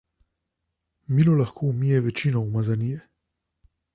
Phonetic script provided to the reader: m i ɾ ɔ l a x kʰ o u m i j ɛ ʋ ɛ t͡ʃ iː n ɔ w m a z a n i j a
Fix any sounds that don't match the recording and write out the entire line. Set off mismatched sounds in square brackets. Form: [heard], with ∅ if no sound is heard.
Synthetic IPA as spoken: m i [l] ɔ l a x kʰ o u m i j ɛ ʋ ɛ t͡ʃ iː n ɔ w m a z a n i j [ɛ]